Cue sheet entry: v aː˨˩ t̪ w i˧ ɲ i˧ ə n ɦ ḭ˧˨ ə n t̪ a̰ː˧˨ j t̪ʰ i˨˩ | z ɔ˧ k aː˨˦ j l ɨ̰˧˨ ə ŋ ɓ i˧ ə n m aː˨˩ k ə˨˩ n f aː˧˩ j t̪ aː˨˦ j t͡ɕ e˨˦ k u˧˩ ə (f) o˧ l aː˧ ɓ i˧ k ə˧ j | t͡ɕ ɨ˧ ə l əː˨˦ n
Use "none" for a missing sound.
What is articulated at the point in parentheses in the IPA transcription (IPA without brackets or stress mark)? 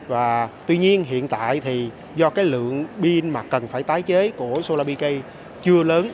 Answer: s